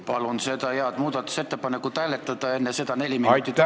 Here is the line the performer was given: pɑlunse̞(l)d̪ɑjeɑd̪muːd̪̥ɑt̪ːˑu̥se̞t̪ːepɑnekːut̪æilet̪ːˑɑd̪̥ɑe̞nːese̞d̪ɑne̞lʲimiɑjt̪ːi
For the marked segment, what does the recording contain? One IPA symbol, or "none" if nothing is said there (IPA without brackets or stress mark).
none